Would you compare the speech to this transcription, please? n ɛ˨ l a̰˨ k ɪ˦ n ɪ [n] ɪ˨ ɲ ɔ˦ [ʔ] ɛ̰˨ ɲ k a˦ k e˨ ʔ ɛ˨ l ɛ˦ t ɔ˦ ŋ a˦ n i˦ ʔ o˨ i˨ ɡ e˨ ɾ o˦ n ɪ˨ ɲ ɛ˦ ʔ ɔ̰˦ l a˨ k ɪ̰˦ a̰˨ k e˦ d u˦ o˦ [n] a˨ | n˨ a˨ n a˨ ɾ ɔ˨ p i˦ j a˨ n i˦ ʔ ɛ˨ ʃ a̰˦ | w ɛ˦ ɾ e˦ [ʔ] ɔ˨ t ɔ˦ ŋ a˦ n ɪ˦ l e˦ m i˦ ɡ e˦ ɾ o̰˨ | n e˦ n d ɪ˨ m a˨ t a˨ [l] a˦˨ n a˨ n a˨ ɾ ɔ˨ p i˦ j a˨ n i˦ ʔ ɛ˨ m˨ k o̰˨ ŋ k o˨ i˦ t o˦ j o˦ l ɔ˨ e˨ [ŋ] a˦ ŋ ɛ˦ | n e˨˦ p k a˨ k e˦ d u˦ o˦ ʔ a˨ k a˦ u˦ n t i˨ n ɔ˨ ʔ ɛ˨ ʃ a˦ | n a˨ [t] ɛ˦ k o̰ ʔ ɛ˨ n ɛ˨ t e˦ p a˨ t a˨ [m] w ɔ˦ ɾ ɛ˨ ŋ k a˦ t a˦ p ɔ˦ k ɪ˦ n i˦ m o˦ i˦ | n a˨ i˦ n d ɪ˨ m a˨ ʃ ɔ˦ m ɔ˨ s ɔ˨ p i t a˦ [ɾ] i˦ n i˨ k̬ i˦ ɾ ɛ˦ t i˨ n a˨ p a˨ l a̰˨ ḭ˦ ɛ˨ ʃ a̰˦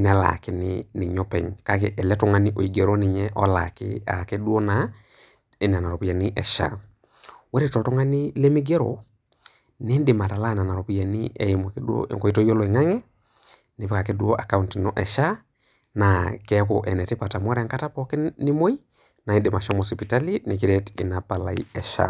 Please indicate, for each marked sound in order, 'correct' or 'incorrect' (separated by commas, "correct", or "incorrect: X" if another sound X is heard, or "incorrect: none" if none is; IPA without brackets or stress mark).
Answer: correct, incorrect: p, correct, incorrect: t, correct, correct, incorrect: k, correct, incorrect: l